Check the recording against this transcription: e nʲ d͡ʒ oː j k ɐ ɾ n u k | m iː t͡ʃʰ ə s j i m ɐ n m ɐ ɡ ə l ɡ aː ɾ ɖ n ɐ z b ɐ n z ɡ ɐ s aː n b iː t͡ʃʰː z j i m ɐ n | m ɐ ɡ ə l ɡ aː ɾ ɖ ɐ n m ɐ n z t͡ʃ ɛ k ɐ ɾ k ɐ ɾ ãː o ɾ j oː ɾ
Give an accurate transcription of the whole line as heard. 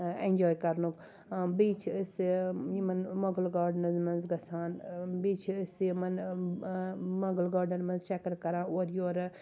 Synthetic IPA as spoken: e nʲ d͡ʒ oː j k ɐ ɾ n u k | b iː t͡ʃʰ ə s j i m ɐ n m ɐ ɡ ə l ɡ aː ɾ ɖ n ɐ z m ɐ n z ɡ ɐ s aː n b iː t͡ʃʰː s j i m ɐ n | m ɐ ɡ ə l ɡ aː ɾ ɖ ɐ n m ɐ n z t͡ʃ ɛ k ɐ ɾ k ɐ ɾ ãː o ɾ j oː ɾ